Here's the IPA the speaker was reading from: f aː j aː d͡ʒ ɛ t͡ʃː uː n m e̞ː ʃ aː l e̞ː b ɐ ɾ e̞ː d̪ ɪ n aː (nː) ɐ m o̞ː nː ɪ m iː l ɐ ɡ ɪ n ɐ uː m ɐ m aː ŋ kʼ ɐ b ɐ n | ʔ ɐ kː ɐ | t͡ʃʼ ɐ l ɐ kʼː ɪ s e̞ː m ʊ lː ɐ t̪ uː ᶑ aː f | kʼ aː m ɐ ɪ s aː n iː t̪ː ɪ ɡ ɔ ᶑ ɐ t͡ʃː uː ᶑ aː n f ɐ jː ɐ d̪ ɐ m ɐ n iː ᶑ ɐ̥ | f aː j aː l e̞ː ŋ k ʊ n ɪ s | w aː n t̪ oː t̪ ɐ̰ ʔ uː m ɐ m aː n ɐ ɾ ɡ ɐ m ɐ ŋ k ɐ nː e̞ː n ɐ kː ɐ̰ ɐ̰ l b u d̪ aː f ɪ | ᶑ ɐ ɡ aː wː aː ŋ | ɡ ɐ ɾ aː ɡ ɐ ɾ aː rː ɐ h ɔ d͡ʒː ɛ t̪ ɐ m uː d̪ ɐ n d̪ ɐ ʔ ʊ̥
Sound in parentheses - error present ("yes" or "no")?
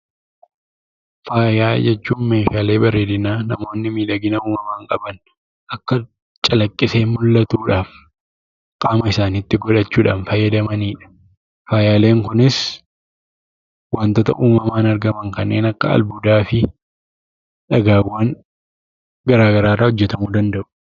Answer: yes